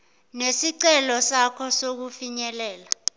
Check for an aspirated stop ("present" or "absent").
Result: present